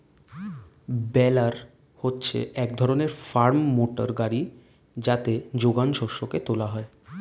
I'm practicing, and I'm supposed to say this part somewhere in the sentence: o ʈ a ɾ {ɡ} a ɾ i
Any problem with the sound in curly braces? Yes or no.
no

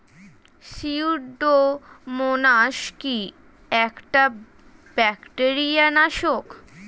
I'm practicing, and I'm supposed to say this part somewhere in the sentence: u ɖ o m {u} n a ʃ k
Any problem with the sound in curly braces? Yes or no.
yes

